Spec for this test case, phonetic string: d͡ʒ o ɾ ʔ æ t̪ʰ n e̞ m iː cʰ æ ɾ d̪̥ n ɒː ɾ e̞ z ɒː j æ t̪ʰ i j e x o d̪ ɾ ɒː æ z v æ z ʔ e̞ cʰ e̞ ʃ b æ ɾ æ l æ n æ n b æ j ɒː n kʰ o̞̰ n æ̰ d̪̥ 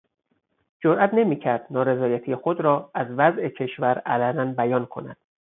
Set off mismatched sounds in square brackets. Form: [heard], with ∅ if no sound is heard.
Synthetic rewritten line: d͡ʒ o ɾ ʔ æ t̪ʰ n e̞ m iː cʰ æ ɾ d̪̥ n ɒː ɾ e̞ z ɒː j æ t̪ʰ i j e x o d̪ ɾ ɒː æ z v æ z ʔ e̞ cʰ e̞ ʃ [v] æ ɾ æ l æ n æ n b æ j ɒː n kʰ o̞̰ n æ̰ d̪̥